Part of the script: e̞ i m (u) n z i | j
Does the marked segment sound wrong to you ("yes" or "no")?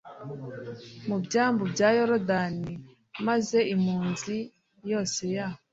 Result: yes